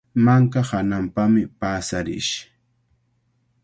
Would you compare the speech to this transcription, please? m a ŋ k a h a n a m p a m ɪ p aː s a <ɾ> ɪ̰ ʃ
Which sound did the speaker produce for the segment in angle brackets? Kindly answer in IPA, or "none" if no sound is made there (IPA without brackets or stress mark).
ɾ